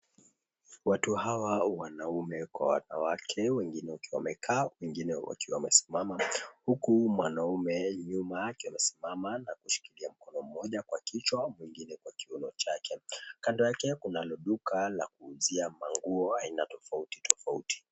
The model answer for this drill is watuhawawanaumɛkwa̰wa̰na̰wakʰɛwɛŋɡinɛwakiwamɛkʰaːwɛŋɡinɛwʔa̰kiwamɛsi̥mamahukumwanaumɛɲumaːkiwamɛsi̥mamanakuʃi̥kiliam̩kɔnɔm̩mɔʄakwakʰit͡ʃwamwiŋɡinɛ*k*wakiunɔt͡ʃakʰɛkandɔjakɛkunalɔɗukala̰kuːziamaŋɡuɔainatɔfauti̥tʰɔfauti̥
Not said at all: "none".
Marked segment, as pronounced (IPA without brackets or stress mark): k